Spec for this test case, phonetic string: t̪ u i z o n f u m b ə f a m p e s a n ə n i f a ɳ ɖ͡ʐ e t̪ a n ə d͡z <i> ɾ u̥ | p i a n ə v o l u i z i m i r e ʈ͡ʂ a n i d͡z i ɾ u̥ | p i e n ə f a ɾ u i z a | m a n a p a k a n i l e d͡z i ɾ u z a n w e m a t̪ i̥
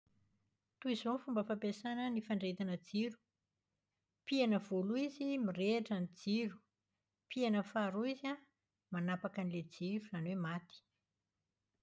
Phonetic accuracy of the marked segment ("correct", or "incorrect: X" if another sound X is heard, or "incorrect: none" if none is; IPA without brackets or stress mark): correct